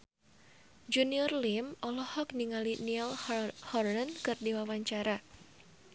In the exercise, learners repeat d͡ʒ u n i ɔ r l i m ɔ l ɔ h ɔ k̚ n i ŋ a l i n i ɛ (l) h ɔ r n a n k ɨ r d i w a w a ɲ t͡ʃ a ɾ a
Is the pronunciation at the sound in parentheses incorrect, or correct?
correct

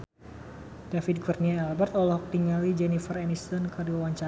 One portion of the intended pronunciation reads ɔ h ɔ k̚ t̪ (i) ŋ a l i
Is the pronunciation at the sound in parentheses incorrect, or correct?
correct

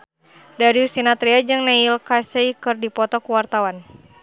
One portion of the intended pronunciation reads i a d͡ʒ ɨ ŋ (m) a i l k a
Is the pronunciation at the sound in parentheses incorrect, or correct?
incorrect: n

